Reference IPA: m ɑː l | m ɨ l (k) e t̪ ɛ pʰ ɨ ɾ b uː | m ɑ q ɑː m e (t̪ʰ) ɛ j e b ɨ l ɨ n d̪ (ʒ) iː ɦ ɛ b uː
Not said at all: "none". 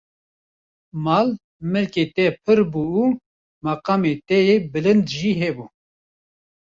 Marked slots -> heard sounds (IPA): k, t̪, ʒ

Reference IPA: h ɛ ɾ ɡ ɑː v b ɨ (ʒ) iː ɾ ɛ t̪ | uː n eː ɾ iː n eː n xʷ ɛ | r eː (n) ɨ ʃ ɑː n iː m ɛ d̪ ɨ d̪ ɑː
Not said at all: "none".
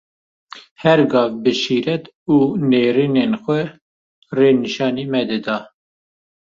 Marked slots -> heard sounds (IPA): ʃ, n

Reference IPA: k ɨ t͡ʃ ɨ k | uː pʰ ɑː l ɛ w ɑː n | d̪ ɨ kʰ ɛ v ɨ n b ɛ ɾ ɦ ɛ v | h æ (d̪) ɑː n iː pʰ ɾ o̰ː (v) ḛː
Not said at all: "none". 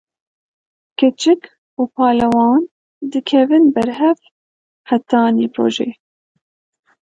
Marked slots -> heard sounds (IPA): t̪, ʒ

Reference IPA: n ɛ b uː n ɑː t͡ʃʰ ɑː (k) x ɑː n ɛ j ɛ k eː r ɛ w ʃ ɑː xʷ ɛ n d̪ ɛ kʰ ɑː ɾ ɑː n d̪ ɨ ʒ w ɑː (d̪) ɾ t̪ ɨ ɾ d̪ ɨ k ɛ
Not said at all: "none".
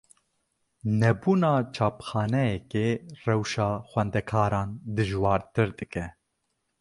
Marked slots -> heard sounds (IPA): p, none

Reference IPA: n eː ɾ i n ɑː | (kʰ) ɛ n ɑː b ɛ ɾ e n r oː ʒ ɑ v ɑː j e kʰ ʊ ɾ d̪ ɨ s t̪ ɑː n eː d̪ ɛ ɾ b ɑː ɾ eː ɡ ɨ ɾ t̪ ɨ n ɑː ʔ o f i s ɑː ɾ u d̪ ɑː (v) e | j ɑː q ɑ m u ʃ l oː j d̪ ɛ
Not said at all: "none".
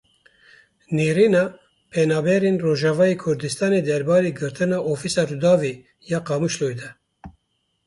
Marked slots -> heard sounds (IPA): pʰ, v

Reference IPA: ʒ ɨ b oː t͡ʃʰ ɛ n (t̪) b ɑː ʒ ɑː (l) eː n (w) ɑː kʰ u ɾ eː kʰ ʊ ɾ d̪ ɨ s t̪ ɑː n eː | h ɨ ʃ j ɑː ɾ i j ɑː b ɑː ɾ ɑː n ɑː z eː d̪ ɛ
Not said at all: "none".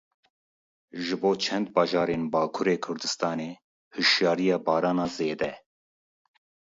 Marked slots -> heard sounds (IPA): d̪, ɾ, b

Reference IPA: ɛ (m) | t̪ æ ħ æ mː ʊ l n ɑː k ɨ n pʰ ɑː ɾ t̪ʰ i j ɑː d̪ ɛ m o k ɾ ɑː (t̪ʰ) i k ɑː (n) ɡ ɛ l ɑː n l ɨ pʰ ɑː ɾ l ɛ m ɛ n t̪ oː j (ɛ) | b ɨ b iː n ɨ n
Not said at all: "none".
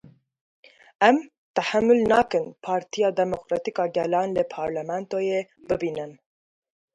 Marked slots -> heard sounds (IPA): m, t̪, none, e

